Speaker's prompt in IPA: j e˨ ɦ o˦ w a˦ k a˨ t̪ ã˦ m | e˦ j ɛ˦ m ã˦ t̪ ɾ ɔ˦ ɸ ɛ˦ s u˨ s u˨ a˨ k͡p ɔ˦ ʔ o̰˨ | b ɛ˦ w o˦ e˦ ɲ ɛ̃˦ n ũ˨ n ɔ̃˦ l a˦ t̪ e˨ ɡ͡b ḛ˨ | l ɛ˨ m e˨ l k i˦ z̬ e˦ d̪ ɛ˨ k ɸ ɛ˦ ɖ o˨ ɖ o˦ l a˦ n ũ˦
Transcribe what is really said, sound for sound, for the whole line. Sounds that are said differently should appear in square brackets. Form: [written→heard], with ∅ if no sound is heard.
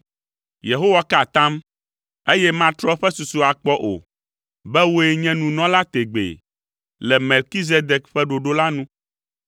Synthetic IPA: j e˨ ɦ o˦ w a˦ k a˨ t̪ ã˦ m | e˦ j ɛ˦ m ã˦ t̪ ɾ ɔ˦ ɸ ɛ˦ s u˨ s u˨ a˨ k͡p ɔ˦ ʔ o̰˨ | b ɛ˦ w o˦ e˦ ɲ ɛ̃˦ n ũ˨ n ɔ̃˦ l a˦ t̪ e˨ ɡ͡b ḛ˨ | l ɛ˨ m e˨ l k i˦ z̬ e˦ d̪ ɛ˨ k ɸ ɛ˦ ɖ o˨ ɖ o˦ l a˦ n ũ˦